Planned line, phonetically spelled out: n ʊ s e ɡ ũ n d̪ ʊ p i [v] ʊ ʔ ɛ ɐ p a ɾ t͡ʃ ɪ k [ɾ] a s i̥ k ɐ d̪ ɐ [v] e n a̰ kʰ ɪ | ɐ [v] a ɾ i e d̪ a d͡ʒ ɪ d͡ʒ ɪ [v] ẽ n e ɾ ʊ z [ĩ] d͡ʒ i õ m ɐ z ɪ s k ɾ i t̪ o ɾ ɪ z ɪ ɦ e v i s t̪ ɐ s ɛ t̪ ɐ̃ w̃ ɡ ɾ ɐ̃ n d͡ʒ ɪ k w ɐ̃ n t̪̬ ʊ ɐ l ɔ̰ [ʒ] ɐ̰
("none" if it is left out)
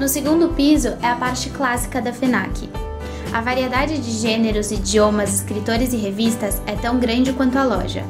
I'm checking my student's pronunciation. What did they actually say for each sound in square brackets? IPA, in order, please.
z, l, f, v, ʒ, i, ʒ

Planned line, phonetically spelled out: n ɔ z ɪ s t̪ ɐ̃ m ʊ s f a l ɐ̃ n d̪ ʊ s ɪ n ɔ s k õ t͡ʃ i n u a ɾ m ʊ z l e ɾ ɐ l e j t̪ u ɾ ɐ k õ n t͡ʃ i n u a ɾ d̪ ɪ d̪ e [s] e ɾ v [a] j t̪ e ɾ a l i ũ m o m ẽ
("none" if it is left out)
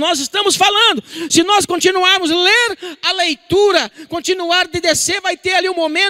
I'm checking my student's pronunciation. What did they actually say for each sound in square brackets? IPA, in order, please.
s, a

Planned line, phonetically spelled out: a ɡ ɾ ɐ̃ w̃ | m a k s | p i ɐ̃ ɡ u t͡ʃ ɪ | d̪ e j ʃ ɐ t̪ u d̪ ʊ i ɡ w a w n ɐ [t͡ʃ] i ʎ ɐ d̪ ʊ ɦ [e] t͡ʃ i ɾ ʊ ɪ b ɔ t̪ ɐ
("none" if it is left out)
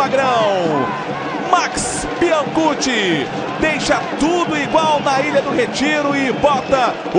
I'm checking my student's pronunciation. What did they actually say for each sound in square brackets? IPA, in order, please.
none, e

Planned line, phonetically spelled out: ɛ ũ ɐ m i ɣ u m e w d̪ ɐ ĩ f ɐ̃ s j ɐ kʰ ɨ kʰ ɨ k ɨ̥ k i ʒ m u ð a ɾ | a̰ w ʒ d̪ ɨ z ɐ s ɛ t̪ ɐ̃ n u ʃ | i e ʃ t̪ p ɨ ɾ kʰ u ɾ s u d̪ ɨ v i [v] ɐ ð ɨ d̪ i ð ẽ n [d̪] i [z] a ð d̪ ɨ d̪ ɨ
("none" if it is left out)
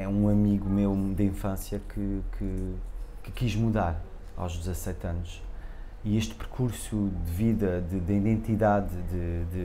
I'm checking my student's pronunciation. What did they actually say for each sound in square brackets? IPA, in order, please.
ð, t̪, ð

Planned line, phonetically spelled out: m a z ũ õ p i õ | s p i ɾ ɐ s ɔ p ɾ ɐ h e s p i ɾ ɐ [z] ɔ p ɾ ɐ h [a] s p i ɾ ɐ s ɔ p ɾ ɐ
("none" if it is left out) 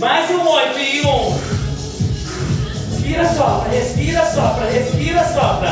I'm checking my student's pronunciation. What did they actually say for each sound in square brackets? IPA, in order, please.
s, e

